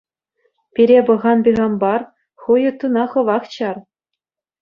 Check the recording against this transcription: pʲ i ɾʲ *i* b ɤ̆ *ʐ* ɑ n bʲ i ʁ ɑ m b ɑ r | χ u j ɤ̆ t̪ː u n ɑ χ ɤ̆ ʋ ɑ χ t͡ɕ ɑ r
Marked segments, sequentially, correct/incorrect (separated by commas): incorrect, incorrect